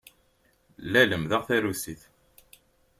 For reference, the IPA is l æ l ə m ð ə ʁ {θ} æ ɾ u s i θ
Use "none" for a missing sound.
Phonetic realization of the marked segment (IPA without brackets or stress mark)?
θ